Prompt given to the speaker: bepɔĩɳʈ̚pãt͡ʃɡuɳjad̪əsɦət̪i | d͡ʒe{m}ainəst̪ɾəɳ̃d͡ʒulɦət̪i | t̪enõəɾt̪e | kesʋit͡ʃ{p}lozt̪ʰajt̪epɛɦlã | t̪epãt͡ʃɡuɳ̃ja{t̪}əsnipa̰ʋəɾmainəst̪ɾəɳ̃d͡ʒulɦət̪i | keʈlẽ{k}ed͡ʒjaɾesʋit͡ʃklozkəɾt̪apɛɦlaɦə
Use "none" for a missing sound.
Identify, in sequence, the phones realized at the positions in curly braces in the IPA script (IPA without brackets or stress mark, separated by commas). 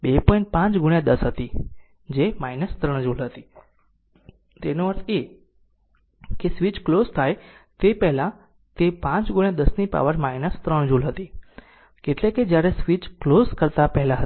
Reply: m, k, d̪, k